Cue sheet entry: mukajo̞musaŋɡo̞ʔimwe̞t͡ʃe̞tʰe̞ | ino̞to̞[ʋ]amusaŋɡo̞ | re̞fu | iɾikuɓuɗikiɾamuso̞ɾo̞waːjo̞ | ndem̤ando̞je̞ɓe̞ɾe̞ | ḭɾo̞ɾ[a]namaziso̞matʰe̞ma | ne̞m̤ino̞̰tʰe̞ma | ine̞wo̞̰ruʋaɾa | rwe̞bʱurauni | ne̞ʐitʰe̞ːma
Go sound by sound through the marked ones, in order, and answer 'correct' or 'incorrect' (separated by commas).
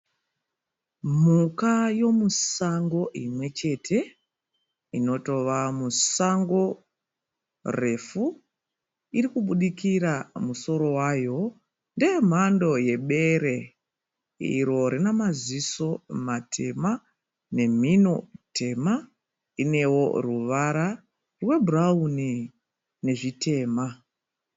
correct, incorrect